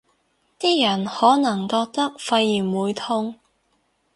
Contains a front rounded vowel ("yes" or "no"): no